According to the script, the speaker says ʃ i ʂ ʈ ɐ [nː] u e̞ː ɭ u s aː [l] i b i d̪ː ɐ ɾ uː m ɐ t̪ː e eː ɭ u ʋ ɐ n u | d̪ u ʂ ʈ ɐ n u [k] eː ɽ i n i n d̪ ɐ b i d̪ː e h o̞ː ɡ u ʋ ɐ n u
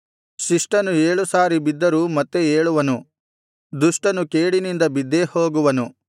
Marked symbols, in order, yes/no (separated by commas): no, no, yes